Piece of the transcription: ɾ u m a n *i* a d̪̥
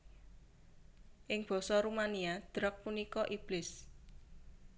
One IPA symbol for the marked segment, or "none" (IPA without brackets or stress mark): i